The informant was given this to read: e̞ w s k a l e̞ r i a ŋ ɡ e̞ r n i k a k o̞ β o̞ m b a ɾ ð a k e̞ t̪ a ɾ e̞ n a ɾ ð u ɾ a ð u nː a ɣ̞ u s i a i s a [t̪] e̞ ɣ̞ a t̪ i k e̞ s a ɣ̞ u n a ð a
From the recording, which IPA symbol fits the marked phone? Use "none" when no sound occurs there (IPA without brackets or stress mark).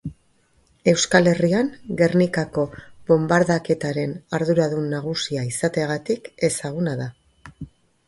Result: t̪